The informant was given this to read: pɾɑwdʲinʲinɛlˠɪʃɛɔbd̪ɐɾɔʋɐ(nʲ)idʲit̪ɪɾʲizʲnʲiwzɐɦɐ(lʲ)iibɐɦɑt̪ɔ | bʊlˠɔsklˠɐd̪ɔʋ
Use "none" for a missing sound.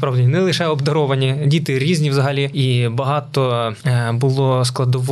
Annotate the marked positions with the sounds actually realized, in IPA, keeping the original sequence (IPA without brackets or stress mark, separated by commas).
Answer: nʲ, lʲ